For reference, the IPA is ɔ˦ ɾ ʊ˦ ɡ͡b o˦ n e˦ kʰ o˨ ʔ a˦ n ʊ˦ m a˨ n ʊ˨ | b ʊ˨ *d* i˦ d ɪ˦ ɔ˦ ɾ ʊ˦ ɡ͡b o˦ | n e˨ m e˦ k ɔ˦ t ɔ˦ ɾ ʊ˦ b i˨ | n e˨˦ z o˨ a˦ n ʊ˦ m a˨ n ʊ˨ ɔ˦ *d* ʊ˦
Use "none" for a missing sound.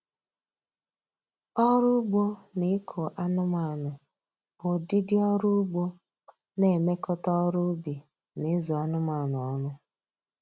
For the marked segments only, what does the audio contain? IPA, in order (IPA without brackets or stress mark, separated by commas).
d, n